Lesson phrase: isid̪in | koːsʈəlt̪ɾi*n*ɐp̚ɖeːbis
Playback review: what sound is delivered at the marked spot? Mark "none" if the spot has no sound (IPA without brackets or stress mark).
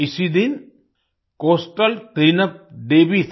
n